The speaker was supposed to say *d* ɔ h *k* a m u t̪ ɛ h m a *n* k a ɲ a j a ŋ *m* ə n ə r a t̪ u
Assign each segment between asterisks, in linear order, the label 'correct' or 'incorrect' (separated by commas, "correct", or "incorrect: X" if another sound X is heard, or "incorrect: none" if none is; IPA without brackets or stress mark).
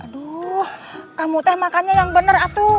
correct, correct, incorrect: none, incorrect: b